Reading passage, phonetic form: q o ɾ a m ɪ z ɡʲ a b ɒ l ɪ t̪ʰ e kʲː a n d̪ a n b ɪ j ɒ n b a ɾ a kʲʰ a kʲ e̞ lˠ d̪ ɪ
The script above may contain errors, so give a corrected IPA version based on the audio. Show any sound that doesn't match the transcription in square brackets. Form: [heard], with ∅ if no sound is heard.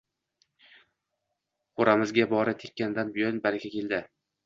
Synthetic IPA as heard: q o ɾ a m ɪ z ɡʲ a b ɒ [ɾ] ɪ t̪ʰ e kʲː a n d̪ a n b ɪ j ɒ n b a ɾ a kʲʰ a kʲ e̞ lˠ d̪ ɪ